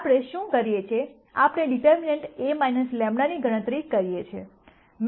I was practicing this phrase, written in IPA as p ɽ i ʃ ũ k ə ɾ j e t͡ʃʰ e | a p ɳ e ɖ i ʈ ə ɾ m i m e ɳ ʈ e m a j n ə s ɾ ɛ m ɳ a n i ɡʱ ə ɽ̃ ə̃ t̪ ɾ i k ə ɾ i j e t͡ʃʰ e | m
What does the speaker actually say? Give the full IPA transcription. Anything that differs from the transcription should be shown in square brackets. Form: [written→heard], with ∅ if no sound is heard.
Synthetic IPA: p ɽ [i→e] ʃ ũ k ə ɾ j e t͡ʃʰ e | a p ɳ e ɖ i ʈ ə ɾ m i [m→n] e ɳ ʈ e m a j n ə s [ɾ→l] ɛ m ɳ a n i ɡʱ ə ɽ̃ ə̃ t̪ ɾ i k ə ɾ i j e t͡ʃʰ e | m